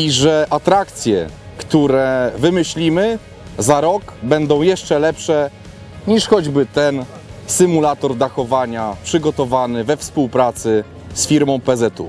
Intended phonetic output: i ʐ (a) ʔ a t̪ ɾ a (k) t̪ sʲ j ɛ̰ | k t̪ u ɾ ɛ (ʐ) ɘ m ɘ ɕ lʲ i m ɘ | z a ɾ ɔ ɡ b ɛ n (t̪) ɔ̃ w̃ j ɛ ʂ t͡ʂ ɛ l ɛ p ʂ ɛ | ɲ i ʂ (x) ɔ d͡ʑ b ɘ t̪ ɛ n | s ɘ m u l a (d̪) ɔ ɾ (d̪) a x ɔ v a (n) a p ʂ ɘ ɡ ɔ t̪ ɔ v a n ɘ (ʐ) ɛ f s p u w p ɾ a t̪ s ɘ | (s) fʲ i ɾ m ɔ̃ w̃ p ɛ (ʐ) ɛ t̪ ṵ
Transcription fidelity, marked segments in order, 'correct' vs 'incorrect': incorrect, correct, incorrect, incorrect, correct, incorrect, correct, incorrect, incorrect, correct, incorrect

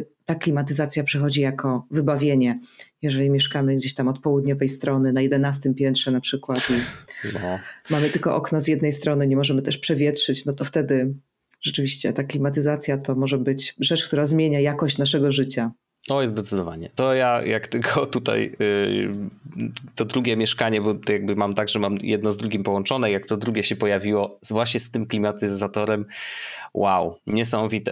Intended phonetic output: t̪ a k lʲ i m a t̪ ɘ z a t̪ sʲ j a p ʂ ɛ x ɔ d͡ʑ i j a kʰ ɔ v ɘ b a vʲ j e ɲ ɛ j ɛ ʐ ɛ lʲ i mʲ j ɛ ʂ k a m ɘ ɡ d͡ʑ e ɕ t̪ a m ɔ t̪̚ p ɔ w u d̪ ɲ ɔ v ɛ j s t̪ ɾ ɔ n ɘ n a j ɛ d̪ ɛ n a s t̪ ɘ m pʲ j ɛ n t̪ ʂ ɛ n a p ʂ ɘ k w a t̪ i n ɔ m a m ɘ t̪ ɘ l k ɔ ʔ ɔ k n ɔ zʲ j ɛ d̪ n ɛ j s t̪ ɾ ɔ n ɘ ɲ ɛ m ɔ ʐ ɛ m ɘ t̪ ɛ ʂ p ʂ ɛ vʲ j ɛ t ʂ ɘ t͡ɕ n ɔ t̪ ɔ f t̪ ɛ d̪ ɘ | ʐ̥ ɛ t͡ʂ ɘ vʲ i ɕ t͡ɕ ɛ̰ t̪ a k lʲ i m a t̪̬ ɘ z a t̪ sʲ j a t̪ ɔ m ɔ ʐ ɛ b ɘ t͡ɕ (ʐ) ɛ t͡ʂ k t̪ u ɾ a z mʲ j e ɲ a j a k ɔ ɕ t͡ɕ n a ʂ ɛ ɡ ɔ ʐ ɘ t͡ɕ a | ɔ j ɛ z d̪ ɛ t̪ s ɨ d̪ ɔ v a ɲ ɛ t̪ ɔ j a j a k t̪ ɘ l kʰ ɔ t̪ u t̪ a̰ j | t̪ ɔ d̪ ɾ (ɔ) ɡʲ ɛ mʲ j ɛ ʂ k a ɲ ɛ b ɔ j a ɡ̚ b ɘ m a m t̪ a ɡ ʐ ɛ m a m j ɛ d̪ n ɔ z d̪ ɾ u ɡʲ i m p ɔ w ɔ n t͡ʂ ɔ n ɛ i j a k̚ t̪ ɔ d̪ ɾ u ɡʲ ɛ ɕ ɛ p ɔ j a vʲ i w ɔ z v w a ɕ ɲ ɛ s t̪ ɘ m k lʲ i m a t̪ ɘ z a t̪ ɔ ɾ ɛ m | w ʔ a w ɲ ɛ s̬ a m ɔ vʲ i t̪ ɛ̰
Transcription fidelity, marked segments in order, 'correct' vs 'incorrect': correct, incorrect

